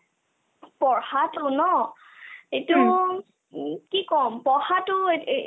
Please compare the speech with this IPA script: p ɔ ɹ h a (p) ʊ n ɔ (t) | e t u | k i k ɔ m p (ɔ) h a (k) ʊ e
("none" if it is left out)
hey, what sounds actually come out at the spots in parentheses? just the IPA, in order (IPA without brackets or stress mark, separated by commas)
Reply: t, none, ɔ, t